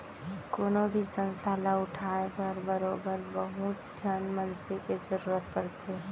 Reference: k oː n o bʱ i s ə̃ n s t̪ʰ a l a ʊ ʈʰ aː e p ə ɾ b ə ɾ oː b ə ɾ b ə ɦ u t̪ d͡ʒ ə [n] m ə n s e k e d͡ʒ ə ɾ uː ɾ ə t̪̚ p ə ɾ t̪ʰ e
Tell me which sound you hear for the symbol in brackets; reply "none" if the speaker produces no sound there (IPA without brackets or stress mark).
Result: n